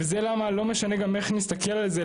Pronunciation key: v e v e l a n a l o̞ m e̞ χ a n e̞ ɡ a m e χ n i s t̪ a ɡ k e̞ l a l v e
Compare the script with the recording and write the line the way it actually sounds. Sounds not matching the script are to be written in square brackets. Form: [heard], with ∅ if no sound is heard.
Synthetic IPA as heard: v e [z] e l a [m] a l o̞ m e̞ [ʃ] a n e̞ ɡ a m e χ n i s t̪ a [∅] k e̞ l a l [z] e